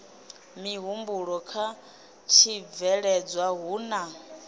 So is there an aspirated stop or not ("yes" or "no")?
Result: yes